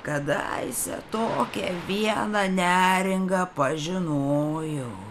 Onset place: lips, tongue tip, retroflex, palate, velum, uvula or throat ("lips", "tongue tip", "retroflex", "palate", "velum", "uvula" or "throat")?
velum